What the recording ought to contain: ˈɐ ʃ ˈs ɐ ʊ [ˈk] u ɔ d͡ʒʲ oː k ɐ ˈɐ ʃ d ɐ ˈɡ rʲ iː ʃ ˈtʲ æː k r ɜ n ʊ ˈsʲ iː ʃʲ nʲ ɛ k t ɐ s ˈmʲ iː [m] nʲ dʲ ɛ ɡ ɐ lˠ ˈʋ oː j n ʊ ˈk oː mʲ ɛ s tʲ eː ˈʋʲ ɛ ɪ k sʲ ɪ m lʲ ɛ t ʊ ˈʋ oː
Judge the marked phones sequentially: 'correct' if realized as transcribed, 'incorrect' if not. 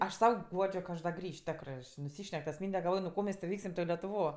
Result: incorrect: ɡ, incorrect: none

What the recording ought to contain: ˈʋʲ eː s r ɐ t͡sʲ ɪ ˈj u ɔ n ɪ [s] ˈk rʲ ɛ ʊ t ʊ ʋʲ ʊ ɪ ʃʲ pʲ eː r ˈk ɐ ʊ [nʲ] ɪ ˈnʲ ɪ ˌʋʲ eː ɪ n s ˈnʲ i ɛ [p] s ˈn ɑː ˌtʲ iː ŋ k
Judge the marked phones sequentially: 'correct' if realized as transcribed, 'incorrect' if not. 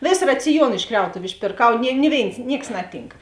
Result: incorrect: ʃ, correct, incorrect: k

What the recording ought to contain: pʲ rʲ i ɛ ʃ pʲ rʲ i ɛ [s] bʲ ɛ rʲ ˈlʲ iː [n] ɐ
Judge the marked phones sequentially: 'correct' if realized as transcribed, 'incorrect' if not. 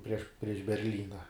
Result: incorrect: ʃ, correct

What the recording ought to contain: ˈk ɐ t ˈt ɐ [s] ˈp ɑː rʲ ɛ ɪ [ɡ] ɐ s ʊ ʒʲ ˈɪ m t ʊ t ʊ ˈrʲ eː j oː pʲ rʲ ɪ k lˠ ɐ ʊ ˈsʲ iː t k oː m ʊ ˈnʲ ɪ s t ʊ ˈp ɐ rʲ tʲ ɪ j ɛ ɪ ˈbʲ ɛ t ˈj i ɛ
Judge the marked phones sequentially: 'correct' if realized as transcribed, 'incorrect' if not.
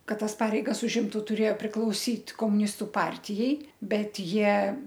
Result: correct, correct

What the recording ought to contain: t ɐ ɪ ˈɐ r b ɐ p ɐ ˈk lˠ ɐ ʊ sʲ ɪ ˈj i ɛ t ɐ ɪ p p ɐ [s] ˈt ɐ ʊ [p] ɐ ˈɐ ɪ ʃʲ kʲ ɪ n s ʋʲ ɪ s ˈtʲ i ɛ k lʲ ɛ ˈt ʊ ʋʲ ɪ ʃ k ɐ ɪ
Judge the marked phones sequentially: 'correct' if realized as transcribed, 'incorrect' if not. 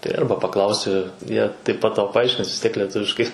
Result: incorrect: t, correct

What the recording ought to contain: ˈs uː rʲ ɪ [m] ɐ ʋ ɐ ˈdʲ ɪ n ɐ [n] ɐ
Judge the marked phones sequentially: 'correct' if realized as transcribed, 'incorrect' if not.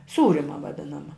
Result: correct, incorrect: m

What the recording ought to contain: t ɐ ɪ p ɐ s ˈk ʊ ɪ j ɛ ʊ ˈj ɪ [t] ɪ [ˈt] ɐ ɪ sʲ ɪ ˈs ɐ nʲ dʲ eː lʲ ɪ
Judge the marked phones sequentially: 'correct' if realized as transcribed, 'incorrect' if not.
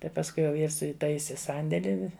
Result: incorrect: s, correct

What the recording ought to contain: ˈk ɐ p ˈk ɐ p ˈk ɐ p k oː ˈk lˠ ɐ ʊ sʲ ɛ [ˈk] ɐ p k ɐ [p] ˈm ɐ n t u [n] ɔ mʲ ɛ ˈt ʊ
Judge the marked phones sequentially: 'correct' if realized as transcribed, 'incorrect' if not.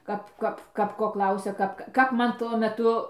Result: correct, correct, incorrect: none

